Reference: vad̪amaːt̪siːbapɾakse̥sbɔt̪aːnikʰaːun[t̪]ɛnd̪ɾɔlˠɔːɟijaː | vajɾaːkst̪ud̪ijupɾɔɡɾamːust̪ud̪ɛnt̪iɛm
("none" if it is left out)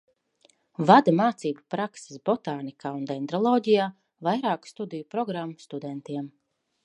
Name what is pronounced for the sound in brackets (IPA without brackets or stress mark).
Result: d̪